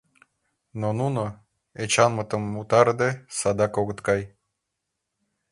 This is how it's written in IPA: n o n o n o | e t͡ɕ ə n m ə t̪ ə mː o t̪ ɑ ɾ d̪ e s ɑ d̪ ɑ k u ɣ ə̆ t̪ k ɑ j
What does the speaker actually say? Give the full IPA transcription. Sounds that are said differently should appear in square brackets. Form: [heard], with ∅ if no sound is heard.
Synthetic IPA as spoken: n o n [u] n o | e t͡ɕ [ɑ] n m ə t̪ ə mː [u] t̪ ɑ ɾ d̪ e s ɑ d̪ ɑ k [o] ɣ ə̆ t̪ k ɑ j

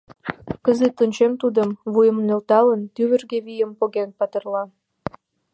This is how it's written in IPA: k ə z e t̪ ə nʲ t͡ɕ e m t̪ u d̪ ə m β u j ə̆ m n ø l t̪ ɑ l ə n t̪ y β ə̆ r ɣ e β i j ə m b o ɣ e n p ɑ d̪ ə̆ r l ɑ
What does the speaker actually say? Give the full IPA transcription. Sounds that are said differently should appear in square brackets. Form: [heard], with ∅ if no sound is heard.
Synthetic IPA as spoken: k ə z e t̪ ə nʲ t͡ɕ e m t̪ u d̪ ə m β u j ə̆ m n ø l t̪ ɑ l ə n t̪ y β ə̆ r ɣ e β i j ə m [p] o ɣ e n p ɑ [t̪] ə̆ r l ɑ

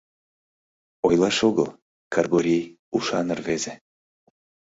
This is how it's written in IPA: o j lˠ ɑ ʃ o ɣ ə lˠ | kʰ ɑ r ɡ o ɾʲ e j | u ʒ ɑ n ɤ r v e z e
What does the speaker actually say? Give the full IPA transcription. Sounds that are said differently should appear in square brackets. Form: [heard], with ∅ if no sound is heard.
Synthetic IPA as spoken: o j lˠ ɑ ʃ o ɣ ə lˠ | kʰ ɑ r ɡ o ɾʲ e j | u [ʃ] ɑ n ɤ r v e z e

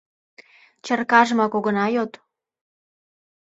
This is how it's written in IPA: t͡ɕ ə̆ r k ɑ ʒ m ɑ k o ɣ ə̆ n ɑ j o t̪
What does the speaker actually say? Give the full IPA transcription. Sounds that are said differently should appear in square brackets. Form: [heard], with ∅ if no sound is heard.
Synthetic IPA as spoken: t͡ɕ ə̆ r k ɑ ʒ m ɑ k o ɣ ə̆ n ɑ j o t̪

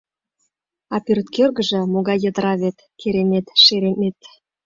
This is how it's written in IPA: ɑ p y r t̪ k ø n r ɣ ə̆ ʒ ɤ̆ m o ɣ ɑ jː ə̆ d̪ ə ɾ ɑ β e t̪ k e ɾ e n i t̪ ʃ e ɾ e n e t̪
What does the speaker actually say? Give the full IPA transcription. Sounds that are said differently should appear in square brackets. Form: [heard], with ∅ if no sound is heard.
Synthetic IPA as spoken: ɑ p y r t̪ k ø [∅] r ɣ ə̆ ʒ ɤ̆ m o ɣ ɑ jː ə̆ d̪ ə ɾ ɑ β e t̪ k e ɾ e n [e] t̪ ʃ e ɾ e n e t̪

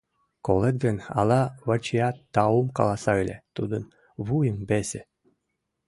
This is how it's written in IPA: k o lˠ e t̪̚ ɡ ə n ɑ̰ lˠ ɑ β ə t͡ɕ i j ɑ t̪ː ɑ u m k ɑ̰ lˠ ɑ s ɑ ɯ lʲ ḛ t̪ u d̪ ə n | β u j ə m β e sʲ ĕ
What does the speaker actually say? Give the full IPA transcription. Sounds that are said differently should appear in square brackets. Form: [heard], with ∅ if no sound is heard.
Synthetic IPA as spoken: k o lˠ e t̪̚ ɡ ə n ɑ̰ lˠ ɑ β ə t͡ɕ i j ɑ t̪ː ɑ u m k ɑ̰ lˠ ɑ s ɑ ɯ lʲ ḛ t̪ u d̪ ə n | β u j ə m [b] e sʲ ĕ

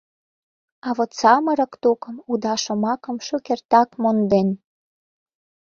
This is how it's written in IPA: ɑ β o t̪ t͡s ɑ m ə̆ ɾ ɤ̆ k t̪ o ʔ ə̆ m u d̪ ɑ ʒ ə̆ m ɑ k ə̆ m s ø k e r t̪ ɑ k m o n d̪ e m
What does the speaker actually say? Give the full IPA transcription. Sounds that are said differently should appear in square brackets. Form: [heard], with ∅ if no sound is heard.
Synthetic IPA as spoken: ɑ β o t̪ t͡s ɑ m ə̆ ɾ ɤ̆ k t̪ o [k] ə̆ m u d̪ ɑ [ʃ] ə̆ m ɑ k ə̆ m [ʃ] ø k e r t̪ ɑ k m o n d̪ e [n]

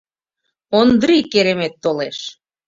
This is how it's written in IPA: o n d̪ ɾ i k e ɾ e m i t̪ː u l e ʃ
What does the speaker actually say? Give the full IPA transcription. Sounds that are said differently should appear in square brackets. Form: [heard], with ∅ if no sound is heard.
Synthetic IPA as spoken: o n d̪ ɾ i k e ɾ e m [e] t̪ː [o] l e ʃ

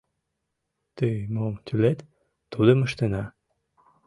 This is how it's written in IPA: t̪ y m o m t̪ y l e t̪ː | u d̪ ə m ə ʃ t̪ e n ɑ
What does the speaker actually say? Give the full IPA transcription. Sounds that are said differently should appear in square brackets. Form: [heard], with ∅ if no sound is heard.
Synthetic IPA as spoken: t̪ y m o m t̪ y l e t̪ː | u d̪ ə m ə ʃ t̪ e n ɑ

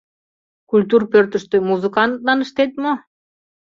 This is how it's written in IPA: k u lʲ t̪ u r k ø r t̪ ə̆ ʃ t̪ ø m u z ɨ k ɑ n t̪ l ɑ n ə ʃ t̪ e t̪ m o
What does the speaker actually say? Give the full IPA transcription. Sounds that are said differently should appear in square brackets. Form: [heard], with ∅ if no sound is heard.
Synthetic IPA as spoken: k u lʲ t̪ u r [p] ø r t̪ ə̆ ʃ t̪ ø m u z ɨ k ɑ n t̪ l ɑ n ə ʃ t̪ e t̪ m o

